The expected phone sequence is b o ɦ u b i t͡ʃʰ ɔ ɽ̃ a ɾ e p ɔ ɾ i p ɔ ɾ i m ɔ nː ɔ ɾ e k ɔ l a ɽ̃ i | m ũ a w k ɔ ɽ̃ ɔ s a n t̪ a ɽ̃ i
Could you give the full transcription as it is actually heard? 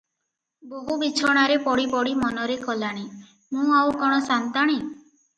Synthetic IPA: b o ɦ u b i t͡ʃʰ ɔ ɽ̃ a ɾ e p ɔ ɽ i p ɔ ɽ i m ɔ n ɔ ɾ e k ɔ l a ɽ̃ i | m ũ a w k ɔ ɽ̃ ɔ s a n t̪ a ɽ̃ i